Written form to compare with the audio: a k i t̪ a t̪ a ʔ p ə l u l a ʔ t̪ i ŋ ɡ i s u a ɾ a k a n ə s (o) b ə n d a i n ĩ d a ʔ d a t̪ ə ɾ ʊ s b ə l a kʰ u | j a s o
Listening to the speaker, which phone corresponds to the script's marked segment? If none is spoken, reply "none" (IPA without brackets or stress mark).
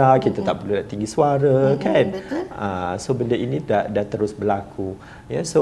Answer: o